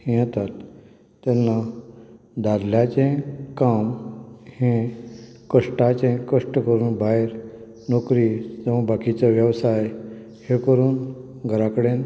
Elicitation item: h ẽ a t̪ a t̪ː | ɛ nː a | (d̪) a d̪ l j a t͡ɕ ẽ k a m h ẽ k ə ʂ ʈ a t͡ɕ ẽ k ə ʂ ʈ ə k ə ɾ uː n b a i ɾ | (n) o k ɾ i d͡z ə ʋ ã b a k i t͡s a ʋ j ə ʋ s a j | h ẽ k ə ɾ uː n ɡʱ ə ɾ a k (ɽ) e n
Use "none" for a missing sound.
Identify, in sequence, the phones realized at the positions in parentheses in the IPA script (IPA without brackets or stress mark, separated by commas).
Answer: d̪, n, ɽ